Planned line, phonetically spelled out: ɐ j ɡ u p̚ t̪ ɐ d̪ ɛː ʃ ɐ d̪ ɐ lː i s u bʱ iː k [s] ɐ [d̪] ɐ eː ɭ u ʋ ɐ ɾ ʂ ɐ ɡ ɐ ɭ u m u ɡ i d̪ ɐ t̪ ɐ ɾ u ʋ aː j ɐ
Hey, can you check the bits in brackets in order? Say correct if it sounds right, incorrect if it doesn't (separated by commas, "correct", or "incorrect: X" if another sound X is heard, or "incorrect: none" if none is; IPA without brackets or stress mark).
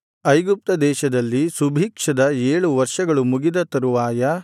incorrect: ʂ, correct